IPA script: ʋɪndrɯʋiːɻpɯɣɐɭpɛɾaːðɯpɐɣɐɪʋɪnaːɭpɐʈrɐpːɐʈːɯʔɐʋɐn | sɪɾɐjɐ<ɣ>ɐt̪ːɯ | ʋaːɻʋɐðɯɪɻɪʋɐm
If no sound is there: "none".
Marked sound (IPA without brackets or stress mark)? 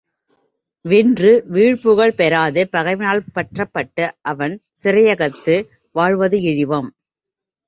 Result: ɣ